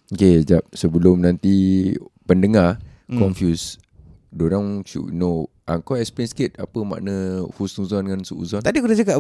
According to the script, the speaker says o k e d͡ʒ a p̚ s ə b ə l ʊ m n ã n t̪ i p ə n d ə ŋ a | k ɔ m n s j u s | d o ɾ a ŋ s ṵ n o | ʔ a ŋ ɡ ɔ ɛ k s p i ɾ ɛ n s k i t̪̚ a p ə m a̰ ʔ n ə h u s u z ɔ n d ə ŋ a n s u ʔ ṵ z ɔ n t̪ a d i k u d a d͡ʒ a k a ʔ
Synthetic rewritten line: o k e d͡ʒ a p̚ s ə b ə l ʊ m n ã n t̪ i p ə n d ə ŋ a | k ɔ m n f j u s | d o ɾ a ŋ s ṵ n o | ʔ a ŋ k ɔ ɛ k s p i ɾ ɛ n s k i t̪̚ a p ə m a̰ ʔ n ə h u s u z ɔ n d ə ŋ a n s u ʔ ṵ z ɔ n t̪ a d i k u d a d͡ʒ a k a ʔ